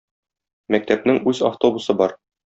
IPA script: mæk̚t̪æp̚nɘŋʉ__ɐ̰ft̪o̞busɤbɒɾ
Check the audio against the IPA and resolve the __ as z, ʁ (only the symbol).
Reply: z